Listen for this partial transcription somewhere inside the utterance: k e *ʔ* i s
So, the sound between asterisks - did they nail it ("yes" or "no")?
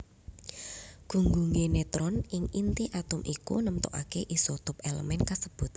yes